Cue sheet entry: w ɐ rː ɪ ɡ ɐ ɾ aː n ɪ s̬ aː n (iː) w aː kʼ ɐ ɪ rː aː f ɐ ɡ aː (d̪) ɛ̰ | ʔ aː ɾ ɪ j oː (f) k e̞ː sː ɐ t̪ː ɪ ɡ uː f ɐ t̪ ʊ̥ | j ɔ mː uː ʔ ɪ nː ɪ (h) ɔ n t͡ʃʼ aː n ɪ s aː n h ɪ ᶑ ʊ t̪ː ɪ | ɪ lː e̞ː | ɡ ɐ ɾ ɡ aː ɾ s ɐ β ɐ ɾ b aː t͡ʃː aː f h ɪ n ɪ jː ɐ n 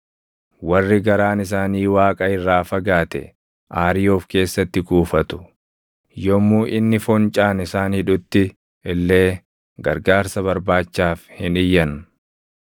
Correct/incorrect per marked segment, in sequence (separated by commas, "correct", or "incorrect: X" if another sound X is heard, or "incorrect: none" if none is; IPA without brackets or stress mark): correct, incorrect: t̪, correct, incorrect: f